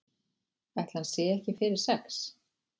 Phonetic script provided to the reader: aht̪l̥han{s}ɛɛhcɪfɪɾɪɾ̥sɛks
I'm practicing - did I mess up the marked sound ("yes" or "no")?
no